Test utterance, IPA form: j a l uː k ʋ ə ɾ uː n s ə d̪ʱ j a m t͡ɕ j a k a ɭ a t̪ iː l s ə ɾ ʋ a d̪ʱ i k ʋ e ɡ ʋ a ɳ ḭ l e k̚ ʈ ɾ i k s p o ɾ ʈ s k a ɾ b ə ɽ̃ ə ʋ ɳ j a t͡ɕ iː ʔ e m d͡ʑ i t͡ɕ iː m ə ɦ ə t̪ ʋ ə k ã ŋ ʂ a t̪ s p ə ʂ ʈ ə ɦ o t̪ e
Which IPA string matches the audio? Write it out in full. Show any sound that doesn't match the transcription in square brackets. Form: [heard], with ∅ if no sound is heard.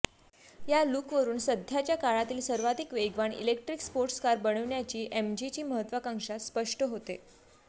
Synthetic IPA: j a l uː k ʋ ə ɾ uː n s ə d̪ʱ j a [∅] t͡ɕ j a k a ɭ a t̪ iː l s ə ɾ ʋ a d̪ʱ i k ʋ e ɡ ʋ a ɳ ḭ l e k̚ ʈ ɾ i k s p o ɾ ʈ s k a ɾ b ə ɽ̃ ə ʋ ɳ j a t͡ɕ iː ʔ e m d͡ʑ i t͡ɕ iː m ə ɦ ə t̪ ʋ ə k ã ŋ ʂ a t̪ s p ə ʂ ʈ ə ɦ o t̪ e